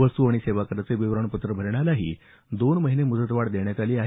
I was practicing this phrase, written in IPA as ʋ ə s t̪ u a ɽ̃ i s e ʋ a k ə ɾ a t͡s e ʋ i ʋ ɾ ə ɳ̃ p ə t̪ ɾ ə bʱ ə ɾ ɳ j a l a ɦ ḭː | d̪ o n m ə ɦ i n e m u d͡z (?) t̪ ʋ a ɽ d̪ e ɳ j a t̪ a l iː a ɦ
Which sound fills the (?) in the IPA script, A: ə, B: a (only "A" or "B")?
A